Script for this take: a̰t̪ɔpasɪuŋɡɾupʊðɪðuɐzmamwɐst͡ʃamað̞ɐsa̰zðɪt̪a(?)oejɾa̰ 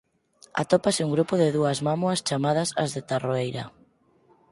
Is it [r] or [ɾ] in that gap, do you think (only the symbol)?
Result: r